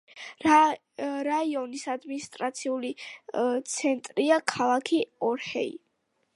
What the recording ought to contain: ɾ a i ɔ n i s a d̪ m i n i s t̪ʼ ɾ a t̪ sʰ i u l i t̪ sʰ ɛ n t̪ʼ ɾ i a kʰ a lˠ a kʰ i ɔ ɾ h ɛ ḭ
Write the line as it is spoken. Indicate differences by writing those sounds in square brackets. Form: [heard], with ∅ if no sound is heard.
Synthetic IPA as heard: ɾ a i ɔ n i s a d̪ m i n i s t̪ʼ ɾ a t̪ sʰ i u l i t̪ sʰ ɛ n t̪ʼ ɾ i a kʰ a lˠ a kʰ i ɔ ɾ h ɛ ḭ

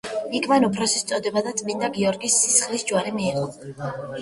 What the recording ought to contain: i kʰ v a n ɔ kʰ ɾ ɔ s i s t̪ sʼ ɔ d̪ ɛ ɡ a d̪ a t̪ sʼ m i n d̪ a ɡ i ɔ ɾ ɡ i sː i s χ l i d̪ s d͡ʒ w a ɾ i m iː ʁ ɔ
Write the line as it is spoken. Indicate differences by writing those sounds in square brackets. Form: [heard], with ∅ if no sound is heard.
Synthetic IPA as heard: i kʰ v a n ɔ [pʰ] ɾ ɔ s i s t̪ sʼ ɔ d̪ ɛ [b] a d̪ a t̪ sʼ m i n d̪ a ɡ i ɔ ɾ ɡ i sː i s χ l i [∅] s d͡ʒ w a ɾ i m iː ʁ ɔ

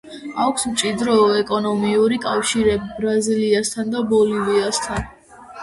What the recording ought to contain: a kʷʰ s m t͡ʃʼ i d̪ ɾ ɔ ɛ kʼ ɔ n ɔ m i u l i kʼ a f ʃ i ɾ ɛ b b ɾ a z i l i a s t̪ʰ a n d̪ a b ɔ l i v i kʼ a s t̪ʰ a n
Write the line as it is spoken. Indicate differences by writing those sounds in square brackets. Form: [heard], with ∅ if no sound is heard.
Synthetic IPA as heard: a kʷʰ s m t͡ʃʼ i d̪ ɾ ɔ ɛ kʼ ɔ n ɔ m i u [ɾ] i kʼ a f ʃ i ɾ ɛ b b ɾ a z i l i a s t̪ʰ a n d̪ a b ɔ l i v i [∅] a s t̪ʰ a n

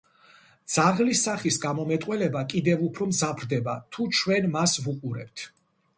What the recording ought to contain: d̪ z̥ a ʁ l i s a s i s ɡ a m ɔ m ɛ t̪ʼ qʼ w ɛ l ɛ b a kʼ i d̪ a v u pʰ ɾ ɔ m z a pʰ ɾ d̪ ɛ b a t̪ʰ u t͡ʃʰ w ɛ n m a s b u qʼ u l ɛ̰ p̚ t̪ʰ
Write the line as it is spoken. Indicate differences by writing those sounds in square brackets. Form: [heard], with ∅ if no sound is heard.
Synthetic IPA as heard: d̪ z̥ a ʁ l i s a [χ] i s ɡ a m ɔ m ɛ t̪ʼ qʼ w ɛ l ɛ b a kʼ i d̪ [ɛ] v u pʰ ɾ ɔ m z a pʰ ɾ d̪ ɛ b a t̪ʰ u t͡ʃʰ w ɛ n m a s [v] u qʼ u [ɾ] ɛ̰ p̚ t̪ʰ

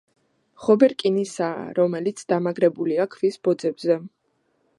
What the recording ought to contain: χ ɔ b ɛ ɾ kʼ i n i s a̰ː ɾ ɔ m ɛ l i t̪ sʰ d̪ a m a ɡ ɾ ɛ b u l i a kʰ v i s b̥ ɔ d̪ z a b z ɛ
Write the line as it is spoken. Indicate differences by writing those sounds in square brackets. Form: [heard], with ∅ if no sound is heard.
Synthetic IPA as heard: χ ɔ b ɛ ɾ kʼ i n i s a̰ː ɾ ɔ m ɛ l i t̪ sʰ d̪ a m a ɡ ɾ ɛ b u l i a kʰ v i s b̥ ɔ d̪ z [ɛ] b z ɛ

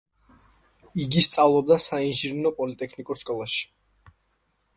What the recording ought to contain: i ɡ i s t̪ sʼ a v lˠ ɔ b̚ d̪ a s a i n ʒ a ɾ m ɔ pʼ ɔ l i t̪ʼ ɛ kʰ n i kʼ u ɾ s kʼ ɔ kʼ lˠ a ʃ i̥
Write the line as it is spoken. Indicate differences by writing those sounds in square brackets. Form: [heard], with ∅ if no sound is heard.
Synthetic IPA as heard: i ɡ i s t̪ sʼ a v lˠ ɔ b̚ d̪ a s a i n ʒ [i] ɾ [n] ɔ pʼ ɔ l i t̪ʼ ɛ kʰ n i kʼ u ɾ s kʼ ɔ [∅] lˠ a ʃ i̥

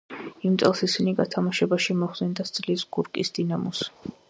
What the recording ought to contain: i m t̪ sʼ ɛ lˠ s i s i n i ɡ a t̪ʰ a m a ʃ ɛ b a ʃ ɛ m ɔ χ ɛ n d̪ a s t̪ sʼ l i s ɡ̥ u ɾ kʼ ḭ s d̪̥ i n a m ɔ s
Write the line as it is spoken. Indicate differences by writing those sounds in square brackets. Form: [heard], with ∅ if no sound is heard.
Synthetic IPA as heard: i m t̪ sʼ ɛ lˠ s i s i n i ɡ a t̪ʰ a m a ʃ ɛ b a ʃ [i] m ɔ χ ɛ n d̪ a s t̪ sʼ l i s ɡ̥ u ɾ kʼ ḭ s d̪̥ i n a m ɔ s

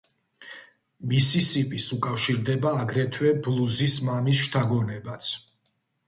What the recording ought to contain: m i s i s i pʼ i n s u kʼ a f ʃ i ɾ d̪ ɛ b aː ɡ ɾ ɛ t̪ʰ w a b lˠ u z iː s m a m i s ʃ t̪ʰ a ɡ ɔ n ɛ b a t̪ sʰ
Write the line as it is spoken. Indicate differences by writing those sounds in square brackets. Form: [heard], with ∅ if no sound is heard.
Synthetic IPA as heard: m i s i s i pʼ i [∅] s u kʼ a f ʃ i ɾ d̪ ɛ b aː ɡ ɾ ɛ t̪ʰ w [ɛ] b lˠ u z [i] s m a m i s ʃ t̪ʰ a ɡ ɔ n ɛ b a t̪ sʰ

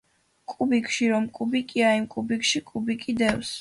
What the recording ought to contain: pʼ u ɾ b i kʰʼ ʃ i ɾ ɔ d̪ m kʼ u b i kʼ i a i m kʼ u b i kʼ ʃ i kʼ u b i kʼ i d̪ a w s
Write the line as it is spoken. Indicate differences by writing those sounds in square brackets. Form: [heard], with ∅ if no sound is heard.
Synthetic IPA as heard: [kʼ] u [∅] b i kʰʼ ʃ i ɾ ɔ [∅] m kʼ u b i kʼ i a i m kʼ u b i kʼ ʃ i kʼ u b i kʼ i d̪ [ɛ] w s

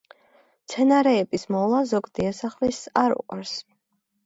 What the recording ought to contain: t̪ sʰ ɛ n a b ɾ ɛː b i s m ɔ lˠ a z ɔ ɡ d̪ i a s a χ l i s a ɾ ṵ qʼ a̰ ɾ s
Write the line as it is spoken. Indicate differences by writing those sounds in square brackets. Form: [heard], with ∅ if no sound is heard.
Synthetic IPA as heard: t̪ sʰ ɛ n a [∅] ɾ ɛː b i s m ɔ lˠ a z ɔ ɡ d̪ i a s a χ l i s a ɾ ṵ qʼ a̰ ɾ s

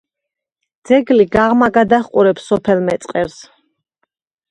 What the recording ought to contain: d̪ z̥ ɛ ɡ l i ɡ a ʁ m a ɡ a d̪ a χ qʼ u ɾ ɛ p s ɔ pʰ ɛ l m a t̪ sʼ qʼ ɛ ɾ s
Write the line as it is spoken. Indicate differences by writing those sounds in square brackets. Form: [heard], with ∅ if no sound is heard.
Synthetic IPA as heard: d̪ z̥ ɛ ɡ l i ɡ a ʁ m a ɡ a d̪ a χ qʼ u ɾ ɛ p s ɔ pʰ ɛ l m [ɛ] t̪ sʼ qʼ ɛ ɾ s

